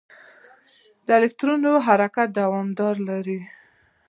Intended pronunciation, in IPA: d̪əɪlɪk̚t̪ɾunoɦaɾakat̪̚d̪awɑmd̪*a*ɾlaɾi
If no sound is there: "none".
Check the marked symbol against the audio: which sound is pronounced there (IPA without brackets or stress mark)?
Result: ɑ